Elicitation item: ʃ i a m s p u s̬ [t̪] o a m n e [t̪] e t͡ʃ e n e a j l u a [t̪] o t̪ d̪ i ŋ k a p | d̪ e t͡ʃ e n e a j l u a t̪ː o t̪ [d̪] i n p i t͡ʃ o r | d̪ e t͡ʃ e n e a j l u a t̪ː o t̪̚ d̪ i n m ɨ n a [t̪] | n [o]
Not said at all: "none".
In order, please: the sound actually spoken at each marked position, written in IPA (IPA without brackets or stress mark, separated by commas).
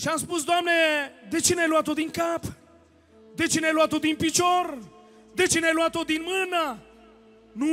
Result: d̪, d̪, t̪, d̪, none, u